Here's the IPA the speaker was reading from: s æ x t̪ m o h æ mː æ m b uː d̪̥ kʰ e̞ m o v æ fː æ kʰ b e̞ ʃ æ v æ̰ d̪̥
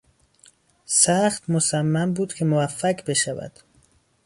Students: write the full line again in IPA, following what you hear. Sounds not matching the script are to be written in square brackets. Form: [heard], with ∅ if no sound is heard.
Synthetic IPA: s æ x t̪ m o [s] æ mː æ m b uː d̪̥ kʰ e̞ m o v æ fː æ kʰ b e̞ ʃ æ v æ̰ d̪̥